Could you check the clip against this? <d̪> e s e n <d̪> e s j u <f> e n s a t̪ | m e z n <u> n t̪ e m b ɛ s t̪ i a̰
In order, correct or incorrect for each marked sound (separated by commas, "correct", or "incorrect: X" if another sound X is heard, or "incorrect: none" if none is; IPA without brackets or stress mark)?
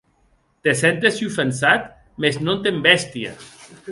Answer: incorrect: t̪, incorrect: t̪, correct, incorrect: o